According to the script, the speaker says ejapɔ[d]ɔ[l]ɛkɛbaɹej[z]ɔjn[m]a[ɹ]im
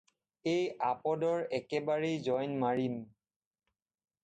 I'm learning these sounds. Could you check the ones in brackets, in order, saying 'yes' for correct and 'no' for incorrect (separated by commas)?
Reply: yes, no, yes, yes, yes